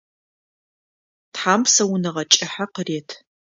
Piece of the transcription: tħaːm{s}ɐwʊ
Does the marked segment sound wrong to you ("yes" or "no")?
no